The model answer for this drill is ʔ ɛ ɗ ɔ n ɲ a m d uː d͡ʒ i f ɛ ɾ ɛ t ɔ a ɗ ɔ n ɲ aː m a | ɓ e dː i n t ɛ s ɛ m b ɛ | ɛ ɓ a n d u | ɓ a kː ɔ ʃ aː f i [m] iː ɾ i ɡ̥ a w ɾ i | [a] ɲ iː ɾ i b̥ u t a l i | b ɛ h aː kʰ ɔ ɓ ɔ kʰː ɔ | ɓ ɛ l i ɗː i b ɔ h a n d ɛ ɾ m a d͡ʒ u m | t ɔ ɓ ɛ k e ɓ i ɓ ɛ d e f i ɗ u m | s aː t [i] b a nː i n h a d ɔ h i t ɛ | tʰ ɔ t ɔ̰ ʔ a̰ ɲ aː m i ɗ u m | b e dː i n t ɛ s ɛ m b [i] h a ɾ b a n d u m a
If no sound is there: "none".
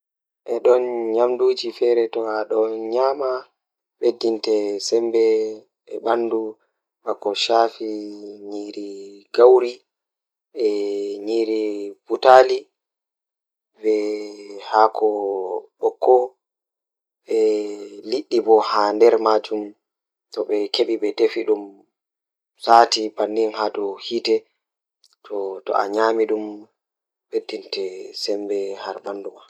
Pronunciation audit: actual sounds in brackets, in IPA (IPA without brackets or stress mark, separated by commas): ɲ, ɛ, i, ɛ